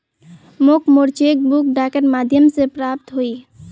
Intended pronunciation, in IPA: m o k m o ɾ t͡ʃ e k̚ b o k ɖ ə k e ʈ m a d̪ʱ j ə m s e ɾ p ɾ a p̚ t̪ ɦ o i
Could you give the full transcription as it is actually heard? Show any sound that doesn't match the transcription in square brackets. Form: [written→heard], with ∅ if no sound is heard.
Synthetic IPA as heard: m o k m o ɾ t͡ʃ e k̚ b [o→u] k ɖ [ə→a] k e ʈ m a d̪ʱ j ə m s e [ɾ→∅] p ɾ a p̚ t̪ ɦ o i